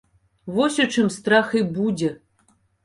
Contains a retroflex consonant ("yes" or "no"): yes